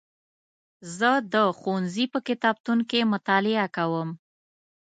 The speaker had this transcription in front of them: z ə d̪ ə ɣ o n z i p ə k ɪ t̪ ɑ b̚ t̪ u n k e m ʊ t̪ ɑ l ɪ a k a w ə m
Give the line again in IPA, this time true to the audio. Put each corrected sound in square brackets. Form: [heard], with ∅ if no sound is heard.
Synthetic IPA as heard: z ə d̪ ə [x] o n z i p ə k ɪ t̪ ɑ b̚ t̪ u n k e m ʊ t̪ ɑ l ɪ a k a w ə m